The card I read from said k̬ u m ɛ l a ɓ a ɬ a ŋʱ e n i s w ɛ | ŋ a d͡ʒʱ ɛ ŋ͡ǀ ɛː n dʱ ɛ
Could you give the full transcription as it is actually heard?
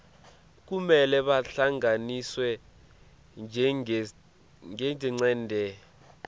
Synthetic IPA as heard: k̬ u m ɛ l ɛ ɓ a ɬ a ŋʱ a n i s w ɛ | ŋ ɛ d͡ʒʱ ɛ ŋ͡ǀ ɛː n dʱ ɛ